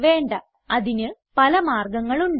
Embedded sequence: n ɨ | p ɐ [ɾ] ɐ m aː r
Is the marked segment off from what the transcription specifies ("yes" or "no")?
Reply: yes